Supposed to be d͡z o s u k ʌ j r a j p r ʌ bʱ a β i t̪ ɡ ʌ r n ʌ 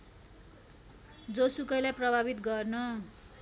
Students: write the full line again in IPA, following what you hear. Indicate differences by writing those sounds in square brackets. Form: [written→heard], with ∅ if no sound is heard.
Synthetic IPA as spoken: d͡z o s u k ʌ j [r→l] a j p r ʌ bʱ a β i t̪ ɡ ʌ r n ʌ